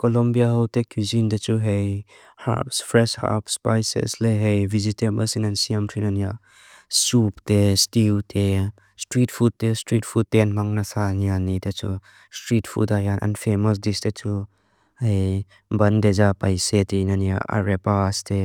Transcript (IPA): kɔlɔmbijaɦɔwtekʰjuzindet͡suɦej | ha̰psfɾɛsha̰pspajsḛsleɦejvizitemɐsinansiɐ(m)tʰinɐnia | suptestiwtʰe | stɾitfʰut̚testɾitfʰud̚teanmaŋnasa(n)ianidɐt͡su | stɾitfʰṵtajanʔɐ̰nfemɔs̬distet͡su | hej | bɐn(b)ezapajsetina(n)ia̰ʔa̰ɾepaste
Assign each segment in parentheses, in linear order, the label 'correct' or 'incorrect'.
correct, correct, incorrect: d, correct

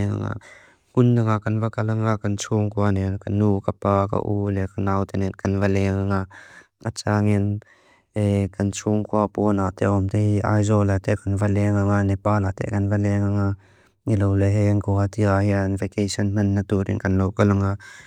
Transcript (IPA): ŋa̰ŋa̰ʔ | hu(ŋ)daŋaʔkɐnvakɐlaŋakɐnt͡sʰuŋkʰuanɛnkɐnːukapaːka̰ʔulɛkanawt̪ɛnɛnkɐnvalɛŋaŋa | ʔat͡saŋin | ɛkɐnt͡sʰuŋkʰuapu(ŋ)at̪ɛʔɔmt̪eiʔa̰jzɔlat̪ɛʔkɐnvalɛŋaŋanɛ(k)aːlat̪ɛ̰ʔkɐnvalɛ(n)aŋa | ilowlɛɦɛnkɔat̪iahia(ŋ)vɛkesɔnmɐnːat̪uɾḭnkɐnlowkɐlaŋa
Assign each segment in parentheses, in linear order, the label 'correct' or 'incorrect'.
incorrect: n, incorrect: n, incorrect: p, incorrect: ŋ, incorrect: n

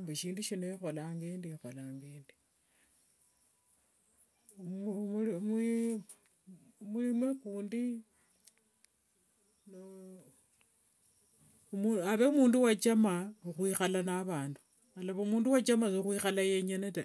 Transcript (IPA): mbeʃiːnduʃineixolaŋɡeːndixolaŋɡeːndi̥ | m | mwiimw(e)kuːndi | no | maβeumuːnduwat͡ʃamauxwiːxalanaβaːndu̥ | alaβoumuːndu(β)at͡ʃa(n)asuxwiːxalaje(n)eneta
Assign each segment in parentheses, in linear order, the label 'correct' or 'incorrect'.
correct, incorrect: w, incorrect: m, incorrect: ɲ

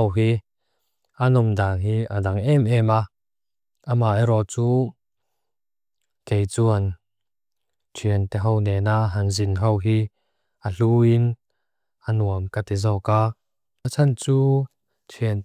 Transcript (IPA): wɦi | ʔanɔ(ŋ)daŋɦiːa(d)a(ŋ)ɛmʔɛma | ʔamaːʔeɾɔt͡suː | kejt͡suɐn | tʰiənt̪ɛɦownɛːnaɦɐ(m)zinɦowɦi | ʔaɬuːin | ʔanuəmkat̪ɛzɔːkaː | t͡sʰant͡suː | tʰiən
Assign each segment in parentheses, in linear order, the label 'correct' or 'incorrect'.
incorrect: m, correct, correct, incorrect: ŋ

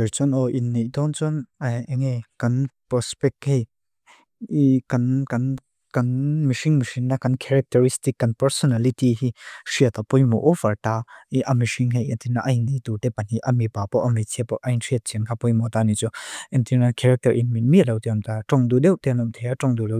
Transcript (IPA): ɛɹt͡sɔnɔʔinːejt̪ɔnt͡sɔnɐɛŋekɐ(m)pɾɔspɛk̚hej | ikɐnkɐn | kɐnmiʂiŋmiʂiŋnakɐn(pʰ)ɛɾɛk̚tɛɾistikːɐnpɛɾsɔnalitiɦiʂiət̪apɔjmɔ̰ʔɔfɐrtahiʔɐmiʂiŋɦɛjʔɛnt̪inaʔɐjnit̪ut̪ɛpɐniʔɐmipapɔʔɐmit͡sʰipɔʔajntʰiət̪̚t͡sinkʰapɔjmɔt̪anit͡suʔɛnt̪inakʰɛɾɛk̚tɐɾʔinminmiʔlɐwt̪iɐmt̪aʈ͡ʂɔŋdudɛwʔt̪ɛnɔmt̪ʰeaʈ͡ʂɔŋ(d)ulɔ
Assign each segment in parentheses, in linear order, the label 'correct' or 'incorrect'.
incorrect: n, incorrect: kʰ, correct

